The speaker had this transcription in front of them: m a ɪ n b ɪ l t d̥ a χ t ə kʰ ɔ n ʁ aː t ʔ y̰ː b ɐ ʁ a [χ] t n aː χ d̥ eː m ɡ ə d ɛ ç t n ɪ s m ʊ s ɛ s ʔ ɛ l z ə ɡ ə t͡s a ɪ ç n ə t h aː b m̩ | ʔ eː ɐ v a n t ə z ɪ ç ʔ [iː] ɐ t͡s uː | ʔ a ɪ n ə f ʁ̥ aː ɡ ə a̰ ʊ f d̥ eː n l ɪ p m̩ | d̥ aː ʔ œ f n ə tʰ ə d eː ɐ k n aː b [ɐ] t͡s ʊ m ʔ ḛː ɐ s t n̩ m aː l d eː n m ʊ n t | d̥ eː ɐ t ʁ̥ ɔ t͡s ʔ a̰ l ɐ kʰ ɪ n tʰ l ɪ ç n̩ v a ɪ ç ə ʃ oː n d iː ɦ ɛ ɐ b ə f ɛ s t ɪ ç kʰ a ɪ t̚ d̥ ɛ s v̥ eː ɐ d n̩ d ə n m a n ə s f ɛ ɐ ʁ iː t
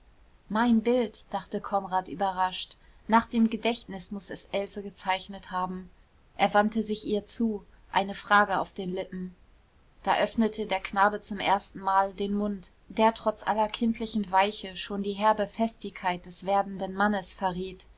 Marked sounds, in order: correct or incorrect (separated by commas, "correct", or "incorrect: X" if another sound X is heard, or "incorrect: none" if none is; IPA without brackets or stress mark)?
incorrect: ʃ, correct, incorrect: ə